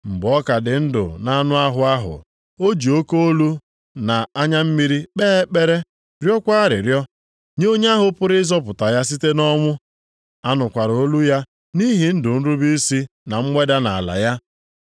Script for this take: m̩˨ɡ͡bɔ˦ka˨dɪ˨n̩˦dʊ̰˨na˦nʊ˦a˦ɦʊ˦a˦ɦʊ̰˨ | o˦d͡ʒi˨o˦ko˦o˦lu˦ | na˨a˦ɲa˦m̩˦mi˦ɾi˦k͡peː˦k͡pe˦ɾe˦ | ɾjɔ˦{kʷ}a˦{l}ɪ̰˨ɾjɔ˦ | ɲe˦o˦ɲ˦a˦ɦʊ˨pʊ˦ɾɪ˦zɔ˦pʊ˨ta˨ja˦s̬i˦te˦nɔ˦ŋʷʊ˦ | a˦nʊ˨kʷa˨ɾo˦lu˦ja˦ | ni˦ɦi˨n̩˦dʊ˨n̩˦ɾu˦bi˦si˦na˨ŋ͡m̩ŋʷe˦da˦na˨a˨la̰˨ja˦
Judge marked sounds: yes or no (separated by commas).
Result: yes, no